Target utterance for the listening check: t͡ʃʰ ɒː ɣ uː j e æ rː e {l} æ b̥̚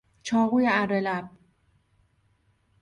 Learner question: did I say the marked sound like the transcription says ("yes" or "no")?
yes